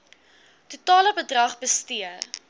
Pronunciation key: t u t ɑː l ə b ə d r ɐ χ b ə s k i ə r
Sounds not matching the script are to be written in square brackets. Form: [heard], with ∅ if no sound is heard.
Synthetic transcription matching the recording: t u t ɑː l ə b ə d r ɐ χ b ə s [t] i ə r